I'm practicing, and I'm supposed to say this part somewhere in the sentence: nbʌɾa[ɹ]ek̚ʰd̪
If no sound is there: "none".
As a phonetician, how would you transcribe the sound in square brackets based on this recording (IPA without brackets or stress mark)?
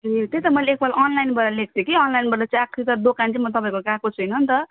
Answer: l